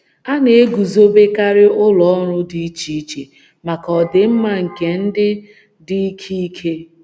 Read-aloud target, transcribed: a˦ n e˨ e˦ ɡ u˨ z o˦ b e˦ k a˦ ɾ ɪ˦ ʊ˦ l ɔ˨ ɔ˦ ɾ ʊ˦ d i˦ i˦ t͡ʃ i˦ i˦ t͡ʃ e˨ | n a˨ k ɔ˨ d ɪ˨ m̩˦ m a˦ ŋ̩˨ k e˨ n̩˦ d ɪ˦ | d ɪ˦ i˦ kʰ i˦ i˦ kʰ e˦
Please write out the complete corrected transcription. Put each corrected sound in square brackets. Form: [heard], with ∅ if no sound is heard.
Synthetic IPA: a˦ n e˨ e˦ ɡ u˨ z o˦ b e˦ k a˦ ɾ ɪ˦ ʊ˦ l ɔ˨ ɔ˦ ɾ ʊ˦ d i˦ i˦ t͡ʃ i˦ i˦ t͡ʃ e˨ | [m] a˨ k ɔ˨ d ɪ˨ m̩˦ m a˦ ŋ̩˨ k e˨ n̩˦ d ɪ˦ | d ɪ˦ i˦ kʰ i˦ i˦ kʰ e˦